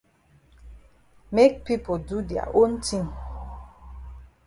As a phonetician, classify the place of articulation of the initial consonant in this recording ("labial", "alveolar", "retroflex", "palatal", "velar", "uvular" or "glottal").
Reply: labial